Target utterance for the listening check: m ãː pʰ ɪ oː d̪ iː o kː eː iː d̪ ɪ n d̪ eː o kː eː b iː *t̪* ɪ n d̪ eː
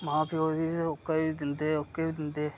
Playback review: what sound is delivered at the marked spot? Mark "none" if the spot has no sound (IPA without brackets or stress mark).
d̪